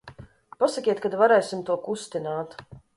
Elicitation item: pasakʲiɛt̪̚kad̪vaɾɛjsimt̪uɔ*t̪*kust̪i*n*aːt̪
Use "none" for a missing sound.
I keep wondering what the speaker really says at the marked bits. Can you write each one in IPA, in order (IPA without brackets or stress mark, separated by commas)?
none, n